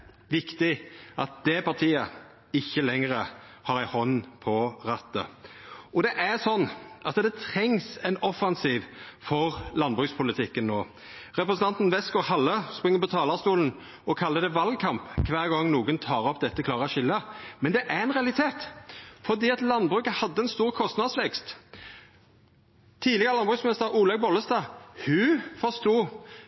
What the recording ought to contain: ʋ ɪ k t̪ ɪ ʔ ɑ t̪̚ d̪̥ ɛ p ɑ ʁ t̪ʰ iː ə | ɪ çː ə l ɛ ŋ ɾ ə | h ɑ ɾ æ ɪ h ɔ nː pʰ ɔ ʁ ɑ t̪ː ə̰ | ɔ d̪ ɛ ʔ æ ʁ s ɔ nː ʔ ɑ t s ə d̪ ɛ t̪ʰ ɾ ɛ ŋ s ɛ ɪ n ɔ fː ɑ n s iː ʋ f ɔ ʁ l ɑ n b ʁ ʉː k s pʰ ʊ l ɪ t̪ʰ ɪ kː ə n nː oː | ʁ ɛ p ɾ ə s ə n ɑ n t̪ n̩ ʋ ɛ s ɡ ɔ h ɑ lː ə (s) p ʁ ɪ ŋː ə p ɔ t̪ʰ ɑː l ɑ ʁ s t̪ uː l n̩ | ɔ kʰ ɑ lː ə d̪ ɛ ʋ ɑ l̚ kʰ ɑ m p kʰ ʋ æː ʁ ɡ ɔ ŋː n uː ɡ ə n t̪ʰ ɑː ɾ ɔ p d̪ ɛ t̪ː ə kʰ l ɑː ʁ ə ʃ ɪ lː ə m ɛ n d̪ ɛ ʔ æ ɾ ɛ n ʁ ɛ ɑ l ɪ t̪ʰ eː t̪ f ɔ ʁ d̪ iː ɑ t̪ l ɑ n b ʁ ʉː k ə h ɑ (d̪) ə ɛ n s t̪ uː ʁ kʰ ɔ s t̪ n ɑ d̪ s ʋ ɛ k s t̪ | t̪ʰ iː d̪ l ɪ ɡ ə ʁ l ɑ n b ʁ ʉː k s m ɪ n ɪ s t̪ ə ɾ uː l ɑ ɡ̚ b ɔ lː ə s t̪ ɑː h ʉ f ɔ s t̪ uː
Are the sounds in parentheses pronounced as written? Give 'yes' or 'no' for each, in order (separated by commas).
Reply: yes, no